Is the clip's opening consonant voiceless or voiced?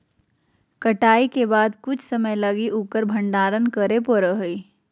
voiceless